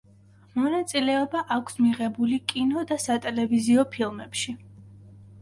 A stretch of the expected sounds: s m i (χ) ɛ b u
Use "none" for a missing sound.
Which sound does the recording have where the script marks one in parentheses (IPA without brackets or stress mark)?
ʁ